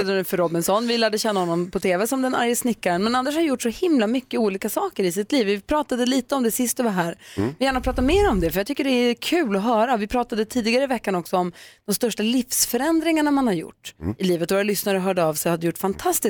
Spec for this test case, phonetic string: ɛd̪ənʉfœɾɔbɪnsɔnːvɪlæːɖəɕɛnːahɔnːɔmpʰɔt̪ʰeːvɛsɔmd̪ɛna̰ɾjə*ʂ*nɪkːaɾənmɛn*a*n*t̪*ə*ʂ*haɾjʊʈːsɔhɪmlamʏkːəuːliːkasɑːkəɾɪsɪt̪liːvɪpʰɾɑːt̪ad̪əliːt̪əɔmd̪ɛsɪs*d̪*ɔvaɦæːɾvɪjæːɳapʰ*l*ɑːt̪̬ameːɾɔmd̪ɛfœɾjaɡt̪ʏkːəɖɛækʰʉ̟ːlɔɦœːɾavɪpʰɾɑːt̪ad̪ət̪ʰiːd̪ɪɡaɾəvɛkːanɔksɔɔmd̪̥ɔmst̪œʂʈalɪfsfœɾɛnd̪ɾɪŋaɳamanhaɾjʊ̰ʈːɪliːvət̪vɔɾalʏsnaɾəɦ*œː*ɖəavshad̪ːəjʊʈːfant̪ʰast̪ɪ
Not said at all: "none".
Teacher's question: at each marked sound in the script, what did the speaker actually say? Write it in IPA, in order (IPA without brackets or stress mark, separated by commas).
s, a, d̪, ʂ, t̪, ɾ, œː